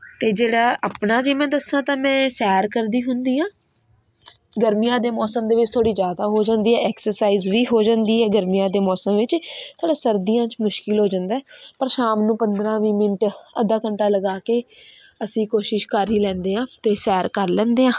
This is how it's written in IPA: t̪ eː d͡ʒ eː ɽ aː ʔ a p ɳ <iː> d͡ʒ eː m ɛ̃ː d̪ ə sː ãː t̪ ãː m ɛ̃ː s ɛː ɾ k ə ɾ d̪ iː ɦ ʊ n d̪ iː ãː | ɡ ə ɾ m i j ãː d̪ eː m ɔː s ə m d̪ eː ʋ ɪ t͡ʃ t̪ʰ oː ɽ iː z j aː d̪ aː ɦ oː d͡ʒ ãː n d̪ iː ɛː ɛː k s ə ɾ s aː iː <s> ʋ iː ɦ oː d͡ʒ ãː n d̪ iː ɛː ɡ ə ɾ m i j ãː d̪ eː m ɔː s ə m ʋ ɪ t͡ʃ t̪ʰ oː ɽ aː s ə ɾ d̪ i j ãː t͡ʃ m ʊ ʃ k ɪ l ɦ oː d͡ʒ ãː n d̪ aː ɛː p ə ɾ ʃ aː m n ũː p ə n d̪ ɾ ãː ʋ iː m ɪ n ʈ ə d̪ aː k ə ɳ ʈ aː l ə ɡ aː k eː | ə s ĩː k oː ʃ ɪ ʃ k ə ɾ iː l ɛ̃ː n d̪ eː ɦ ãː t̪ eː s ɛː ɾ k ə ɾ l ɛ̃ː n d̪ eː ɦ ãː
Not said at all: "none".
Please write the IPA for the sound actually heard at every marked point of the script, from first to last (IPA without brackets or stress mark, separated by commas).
aː, z